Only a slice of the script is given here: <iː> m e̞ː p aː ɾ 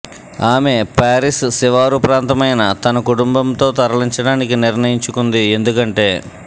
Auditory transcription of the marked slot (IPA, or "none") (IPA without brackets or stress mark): aː